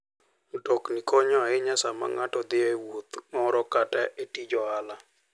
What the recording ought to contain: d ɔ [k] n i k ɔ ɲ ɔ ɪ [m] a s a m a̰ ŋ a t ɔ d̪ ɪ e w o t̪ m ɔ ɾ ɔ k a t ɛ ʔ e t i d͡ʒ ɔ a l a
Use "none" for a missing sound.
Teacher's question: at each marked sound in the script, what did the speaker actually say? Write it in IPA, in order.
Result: k, ɲ

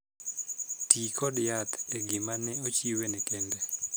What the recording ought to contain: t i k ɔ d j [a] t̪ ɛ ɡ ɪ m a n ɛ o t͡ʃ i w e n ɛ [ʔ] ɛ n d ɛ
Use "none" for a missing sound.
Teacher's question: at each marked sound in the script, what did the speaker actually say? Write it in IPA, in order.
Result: a, k

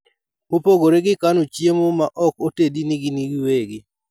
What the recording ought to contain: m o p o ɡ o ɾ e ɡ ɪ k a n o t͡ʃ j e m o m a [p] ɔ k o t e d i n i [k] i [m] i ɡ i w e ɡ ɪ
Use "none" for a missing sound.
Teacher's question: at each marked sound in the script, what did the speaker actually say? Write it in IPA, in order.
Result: ʔ, ɡ, n

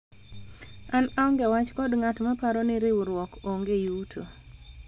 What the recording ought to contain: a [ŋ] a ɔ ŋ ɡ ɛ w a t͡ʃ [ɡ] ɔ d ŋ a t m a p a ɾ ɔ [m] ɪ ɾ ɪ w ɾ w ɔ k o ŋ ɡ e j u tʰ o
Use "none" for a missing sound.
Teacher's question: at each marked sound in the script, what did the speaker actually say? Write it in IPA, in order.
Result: n, k, n

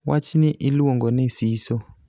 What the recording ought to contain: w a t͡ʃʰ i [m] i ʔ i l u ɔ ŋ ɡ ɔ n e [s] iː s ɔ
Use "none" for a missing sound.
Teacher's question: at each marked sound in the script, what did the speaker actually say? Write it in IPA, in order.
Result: n, s

